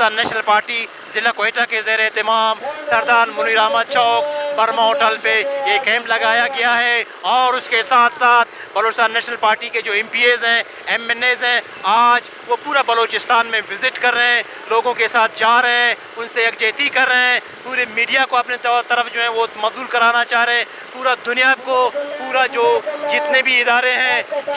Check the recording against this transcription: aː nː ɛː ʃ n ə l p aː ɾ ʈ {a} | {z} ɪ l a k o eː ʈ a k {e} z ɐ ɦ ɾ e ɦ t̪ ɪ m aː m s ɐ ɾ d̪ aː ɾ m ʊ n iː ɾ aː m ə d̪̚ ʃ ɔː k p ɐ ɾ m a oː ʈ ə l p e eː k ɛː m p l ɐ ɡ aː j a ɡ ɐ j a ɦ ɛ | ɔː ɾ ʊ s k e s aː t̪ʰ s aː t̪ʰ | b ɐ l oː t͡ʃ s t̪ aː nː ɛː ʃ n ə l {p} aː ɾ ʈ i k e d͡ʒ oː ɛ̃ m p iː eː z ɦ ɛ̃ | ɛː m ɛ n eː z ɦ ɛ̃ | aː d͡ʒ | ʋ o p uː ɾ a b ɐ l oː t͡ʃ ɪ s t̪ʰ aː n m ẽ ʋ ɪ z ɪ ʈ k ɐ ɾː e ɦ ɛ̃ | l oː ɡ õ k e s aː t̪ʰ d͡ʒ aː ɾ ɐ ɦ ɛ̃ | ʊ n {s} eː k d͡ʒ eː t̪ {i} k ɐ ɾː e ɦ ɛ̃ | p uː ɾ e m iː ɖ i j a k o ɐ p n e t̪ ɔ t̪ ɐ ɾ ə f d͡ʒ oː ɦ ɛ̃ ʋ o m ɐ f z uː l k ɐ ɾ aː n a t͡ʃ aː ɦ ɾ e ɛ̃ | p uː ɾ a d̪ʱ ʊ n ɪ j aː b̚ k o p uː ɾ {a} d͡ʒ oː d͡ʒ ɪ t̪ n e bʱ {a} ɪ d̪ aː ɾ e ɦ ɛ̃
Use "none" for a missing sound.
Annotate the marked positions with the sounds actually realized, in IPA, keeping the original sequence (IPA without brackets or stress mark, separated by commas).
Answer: i, z, e, p, s, i, a, i